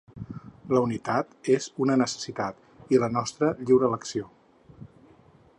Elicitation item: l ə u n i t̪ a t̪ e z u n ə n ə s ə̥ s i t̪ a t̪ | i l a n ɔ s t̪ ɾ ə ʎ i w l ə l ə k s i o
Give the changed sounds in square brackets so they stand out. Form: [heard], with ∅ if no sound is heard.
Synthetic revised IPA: l ə u n i t̪ a t̪ e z u n ə n ə s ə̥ s i t̪ a t̪ | i l [ə] n ɔ s t̪ ɾ ə ʎ i w [ɾ] ə l ə k s i o